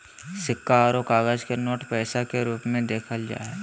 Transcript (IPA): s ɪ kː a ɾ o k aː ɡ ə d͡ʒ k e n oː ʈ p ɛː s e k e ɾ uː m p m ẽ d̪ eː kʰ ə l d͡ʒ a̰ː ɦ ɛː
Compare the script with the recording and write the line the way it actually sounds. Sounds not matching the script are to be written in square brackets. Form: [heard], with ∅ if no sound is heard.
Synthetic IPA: s ɪ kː a ɾ o k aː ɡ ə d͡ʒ k e n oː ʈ p ɛː s [a] k e ɾ uː [∅] p m ẽ d̪ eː kʰ ə l d͡ʒ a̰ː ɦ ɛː